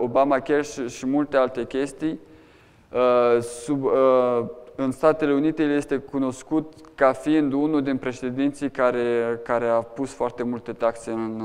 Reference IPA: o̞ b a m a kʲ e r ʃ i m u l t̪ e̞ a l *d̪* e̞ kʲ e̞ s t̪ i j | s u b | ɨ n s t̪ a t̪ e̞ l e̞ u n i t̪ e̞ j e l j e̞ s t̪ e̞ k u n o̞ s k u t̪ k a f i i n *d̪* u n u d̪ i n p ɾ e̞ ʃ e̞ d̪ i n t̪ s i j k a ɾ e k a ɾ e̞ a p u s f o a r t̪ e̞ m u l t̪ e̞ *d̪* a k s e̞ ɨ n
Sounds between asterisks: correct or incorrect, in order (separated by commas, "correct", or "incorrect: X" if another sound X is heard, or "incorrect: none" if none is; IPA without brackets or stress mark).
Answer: incorrect: t̪, correct, incorrect: t̪